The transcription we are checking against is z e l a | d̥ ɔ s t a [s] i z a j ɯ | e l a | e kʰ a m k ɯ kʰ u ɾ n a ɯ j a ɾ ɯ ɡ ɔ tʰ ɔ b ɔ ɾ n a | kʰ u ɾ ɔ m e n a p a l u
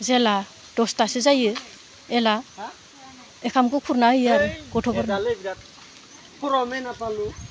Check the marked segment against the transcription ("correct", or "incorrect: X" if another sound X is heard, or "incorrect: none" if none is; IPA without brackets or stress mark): correct